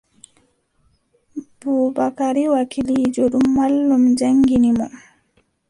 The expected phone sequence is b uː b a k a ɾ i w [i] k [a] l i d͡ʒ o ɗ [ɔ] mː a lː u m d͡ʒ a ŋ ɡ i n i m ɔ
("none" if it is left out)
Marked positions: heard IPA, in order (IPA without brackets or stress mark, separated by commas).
a, i, u